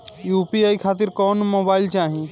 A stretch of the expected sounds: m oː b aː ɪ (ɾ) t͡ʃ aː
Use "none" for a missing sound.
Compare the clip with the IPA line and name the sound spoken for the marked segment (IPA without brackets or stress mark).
l